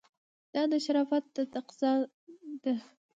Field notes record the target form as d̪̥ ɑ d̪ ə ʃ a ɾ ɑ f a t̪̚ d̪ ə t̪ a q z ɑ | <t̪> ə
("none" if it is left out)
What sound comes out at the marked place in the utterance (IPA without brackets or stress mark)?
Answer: d̪